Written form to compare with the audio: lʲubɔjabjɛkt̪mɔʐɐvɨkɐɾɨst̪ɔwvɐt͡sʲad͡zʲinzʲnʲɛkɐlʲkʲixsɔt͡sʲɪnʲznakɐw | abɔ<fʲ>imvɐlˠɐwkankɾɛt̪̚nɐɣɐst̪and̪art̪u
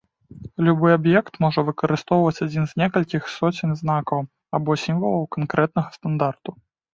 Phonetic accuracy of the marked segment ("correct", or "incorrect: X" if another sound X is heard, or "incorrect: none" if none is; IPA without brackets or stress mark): incorrect: sʲ